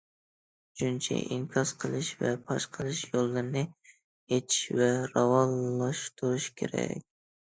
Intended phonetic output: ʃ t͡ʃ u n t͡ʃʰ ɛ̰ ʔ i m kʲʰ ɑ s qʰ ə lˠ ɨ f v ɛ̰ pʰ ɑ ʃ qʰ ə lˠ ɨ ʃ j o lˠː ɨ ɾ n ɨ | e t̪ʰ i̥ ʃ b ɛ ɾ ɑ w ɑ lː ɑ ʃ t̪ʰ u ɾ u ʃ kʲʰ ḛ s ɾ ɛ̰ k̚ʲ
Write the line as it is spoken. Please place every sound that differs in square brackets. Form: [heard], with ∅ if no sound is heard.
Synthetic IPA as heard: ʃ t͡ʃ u n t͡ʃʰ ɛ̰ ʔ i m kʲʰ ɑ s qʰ ə lˠ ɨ [ʃ] v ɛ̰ pʰ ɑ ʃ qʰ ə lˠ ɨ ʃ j o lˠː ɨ ɾ n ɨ | e t̪ʰ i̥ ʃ [v] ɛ ɾ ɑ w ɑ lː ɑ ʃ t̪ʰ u ɾ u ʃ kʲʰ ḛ [∅] ɾ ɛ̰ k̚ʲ